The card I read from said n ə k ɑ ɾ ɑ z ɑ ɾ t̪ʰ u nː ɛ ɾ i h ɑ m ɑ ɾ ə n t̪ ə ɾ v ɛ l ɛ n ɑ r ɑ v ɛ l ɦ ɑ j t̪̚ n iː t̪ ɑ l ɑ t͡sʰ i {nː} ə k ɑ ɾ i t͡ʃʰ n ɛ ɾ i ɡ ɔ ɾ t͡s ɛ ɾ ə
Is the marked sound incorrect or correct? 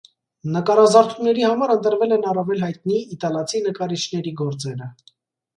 incorrect